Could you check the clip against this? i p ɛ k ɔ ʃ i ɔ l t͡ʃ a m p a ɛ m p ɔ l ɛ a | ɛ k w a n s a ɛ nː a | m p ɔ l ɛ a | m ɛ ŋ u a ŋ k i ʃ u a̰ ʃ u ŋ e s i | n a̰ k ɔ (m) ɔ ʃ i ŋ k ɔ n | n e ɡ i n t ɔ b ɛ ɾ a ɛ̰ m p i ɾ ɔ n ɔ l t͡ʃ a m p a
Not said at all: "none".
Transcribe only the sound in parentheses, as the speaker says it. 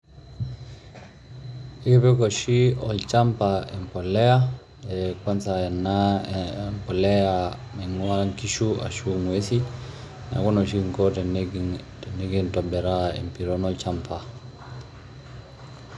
n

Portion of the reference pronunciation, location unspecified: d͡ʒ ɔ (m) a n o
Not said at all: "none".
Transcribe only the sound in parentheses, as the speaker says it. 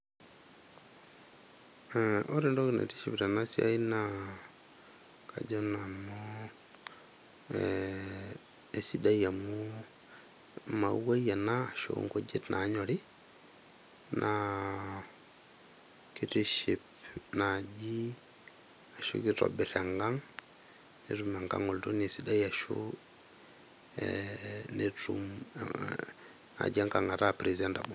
n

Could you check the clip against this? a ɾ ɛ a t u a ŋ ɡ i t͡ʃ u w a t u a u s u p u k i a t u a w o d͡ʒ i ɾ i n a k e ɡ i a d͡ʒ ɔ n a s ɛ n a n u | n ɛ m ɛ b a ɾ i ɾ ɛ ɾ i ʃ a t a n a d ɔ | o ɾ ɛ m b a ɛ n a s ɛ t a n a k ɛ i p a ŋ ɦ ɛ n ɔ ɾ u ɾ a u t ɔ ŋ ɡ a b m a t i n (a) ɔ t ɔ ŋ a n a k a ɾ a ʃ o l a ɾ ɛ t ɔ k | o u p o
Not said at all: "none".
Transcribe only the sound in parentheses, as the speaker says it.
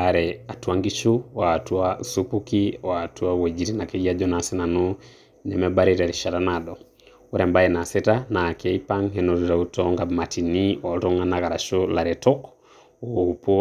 i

